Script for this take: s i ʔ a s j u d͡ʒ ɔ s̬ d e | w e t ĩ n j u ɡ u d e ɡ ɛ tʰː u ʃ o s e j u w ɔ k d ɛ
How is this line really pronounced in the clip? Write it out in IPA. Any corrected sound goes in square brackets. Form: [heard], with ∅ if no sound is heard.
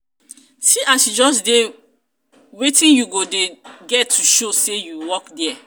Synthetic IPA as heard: s i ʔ a s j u d͡ʒ ɔ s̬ d e | w e t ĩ n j u ɡ [o] d e ɡ ɛ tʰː u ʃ o s e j u w ɔ k d ɛ